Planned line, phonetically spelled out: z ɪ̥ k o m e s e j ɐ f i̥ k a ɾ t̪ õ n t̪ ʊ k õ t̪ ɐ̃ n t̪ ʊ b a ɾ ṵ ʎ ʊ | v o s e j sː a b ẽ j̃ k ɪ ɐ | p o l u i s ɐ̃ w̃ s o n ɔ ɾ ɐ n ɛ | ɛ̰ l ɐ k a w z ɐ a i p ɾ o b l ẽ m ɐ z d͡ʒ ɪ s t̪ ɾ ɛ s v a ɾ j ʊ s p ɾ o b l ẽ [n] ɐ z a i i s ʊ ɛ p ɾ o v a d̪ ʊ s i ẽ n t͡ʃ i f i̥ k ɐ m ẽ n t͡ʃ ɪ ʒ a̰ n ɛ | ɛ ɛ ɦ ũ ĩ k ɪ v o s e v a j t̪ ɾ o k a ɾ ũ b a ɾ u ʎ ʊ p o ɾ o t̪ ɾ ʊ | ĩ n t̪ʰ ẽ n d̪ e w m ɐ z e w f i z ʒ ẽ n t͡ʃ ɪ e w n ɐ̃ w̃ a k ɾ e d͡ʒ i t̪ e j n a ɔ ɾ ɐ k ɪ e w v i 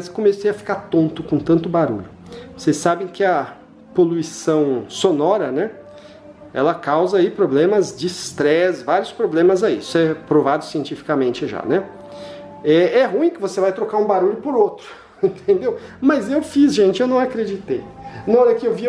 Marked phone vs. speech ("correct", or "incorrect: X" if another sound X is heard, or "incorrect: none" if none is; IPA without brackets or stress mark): incorrect: m